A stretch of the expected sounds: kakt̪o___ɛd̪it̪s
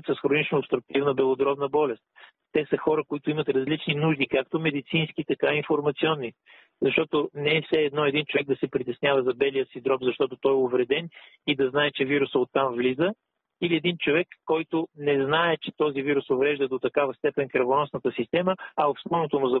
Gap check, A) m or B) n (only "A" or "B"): A